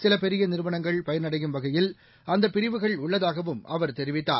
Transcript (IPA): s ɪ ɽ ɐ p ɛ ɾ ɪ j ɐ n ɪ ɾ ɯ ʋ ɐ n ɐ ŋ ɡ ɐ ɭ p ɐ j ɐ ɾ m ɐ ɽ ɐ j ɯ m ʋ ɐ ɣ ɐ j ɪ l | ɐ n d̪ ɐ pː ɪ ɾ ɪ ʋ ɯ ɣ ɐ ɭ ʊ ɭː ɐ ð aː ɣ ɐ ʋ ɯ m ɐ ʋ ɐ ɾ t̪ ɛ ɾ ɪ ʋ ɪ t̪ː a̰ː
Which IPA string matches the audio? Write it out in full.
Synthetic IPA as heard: s ɪ l ɐ p ɛ ɾ ɪ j ɐ n ɪ ɾ ɯ ʋ ɐ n ɐ ŋ ɡ ɐ ɭ p ɐ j ɐ ɾ n ɐ ɽ ɐ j ɯ m ʋ ɐ ɣ ɐ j ɪ l | ɐ n d̪ ɐ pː ɪ ɾ ɪ ʋ ɯ ɣ ɐ ɭ ʊ ɭː ɐ ð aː ɣ ɐ ʋ ɯ m ɐ ʋ ɐ ɾ t̪ ɛ ɾ ɪ ʋ ɪ t̪ː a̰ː